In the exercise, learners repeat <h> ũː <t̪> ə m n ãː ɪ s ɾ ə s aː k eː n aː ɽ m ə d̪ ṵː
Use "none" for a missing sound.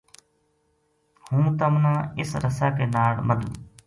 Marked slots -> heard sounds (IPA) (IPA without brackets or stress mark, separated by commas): h, t̪